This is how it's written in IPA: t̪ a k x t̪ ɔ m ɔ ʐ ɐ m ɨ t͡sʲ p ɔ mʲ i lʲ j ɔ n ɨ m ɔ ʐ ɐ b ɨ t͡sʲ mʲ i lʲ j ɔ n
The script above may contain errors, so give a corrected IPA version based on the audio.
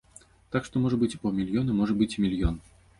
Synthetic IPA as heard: t̪ a k ʂ t̪ ɔ m ɔ ʐ ɐ b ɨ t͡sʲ p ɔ mʲ i lʲ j ɔ n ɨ m ɔ ʐ ɐ b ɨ t͡sʲ mʲ i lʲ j ɔ n